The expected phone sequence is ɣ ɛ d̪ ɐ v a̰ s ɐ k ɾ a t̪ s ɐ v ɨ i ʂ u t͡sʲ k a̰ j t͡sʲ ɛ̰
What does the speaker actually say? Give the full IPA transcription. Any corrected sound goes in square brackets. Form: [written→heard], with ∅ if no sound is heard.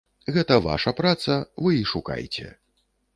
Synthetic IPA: ɣ ɛ [d̪→t̪] ɐ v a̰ [s→ʂ] ɐ [k→p] ɾ a t̪ s ɐ v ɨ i ʂ u [t͡sʲ→∅] k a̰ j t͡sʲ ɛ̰